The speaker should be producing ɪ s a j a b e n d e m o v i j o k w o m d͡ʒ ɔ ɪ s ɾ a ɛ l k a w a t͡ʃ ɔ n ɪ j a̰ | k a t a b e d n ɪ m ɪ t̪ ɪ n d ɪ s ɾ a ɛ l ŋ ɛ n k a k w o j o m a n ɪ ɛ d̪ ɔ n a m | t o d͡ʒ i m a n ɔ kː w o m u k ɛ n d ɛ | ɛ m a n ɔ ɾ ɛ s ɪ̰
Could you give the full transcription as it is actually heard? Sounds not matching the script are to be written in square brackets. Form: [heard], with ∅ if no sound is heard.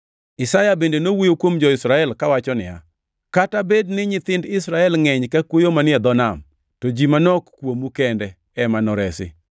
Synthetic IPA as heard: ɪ s a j a b e n d e [n] o [w] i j o k w o m d͡ʒ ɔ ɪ s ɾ a ɛ l k a w a t͡ʃ ɔ n ɪ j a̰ | k a t a b e d n ɪ [ɲ] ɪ t̪ ɪ n d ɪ s ɾ a ɛ l ŋ ɛ [ɲ] k a k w o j o m a n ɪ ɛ d̪ ɔ n a m | t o d͡ʒ i m a n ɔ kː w o m u k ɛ n d ɛ | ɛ m a n ɔ ɾ ɛ s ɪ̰